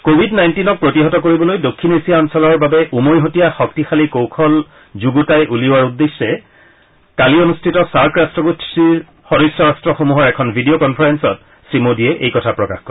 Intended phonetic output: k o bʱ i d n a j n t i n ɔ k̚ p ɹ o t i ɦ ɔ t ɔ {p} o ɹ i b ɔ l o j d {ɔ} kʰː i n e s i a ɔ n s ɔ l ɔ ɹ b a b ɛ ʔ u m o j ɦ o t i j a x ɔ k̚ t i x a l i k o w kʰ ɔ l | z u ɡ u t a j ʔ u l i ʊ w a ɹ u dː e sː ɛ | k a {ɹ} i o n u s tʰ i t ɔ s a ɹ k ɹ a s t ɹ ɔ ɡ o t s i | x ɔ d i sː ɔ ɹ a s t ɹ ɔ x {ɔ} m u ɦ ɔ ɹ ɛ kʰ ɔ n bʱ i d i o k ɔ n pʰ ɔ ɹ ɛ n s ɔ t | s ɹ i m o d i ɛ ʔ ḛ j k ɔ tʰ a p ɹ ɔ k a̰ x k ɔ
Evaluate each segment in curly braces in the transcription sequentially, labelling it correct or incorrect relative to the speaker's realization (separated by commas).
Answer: incorrect, incorrect, incorrect, incorrect